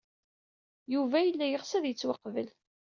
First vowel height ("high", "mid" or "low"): high